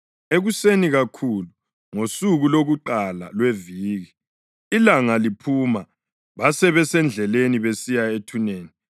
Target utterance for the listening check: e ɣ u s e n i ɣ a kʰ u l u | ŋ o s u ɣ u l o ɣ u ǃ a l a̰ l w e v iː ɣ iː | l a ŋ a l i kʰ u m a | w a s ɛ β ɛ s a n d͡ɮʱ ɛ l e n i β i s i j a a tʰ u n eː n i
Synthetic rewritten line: e ɣ u s e n i ɣ a kʰ u l u | ŋ o s u ɣ u l o ɣ u ǃ a l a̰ l w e v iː ɣ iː | l a ŋ a l i pʰ u m a | β a s ɛ β ɛ s ɛ n d͡ɮʱ ɛ l e n i β e s i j a e tʰ u n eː n i